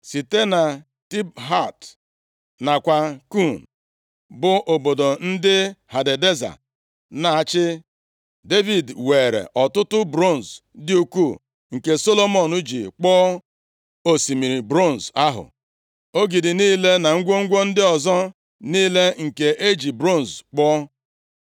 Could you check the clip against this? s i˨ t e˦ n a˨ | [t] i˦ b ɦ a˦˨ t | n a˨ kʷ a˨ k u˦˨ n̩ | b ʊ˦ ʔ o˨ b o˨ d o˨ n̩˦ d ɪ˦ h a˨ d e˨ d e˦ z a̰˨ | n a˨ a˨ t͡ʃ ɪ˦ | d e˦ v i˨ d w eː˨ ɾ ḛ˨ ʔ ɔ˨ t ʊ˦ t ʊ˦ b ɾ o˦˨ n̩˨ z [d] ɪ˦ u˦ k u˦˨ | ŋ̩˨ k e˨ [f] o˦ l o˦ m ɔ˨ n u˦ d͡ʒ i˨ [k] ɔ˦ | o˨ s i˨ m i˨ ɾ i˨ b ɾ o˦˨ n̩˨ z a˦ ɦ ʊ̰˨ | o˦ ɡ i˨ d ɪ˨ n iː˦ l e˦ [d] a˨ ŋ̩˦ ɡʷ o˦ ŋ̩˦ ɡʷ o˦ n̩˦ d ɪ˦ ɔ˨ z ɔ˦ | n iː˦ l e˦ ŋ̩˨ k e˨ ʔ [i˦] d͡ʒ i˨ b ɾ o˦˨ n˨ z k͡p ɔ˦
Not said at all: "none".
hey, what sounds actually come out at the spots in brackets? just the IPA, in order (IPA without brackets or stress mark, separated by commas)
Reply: t, d, s, k͡p, n, e˦